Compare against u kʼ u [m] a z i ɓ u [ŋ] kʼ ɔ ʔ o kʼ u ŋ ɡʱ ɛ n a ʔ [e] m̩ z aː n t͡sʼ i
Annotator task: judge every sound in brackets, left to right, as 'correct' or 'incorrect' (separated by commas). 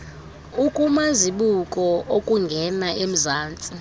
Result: correct, incorrect, correct